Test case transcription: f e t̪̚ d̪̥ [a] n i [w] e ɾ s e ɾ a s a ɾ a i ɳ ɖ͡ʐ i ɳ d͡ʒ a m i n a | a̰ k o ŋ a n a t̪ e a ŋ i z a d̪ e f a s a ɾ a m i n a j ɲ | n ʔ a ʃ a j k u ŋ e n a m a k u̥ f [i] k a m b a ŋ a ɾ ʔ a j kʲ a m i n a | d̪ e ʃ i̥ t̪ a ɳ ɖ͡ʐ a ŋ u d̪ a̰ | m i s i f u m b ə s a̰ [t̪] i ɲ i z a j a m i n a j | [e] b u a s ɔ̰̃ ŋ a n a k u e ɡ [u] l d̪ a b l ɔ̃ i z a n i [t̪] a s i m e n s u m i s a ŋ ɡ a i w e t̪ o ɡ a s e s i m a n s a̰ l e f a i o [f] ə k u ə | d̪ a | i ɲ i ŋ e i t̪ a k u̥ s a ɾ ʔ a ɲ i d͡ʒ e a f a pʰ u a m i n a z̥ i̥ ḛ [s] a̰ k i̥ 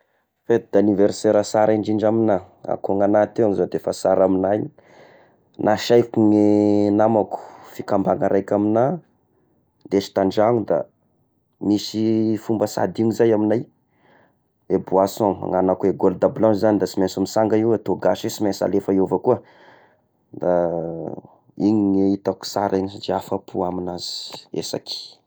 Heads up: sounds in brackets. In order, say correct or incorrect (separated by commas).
correct, incorrect, correct, incorrect, correct, incorrect, incorrect, incorrect, correct